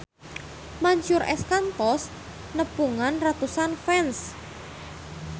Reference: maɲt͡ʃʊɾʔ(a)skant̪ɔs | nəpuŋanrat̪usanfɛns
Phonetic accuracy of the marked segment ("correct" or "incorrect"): incorrect